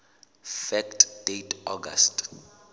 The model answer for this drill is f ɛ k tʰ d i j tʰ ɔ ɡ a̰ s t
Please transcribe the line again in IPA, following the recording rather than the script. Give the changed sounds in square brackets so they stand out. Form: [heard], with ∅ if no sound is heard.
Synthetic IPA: f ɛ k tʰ d [e] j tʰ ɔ ɡ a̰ s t